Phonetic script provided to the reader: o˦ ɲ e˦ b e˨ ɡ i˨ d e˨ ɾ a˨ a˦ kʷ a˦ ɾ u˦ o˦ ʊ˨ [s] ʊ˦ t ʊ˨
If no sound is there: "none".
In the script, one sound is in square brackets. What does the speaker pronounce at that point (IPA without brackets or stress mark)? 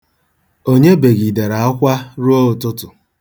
t